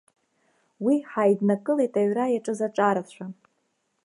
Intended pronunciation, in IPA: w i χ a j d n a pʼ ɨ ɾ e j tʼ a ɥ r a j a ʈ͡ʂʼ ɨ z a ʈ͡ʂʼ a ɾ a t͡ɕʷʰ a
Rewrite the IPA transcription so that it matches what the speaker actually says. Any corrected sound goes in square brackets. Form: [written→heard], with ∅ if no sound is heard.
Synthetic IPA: w i [χ→ħ] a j d n a [pʼ→kʼ] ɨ [ɾ→l] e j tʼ a ɥ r a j a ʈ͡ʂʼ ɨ z a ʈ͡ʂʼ a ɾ a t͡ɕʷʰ a